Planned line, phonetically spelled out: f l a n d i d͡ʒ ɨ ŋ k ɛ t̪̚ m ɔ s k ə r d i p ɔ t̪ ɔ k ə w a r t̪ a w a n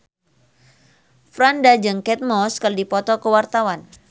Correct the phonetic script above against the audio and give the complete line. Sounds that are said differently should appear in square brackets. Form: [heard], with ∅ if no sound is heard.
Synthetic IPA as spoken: f [ɾ] a n d [a] d͡ʒ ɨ ŋ k ɛ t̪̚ m ɔ s k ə r d i p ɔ t̪ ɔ k ə w a r t̪ a w a n